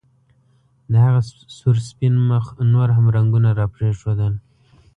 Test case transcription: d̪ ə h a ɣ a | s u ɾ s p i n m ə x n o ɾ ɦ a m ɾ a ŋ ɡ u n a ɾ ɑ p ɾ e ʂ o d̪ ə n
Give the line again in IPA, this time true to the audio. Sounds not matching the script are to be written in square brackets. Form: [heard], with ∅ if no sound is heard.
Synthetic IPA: d̪ ə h a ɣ a | s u ɾ s p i n m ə x n o ɾ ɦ a m ɾ a ŋ ɡ u n a ɾ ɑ p ɾ e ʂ o d̪ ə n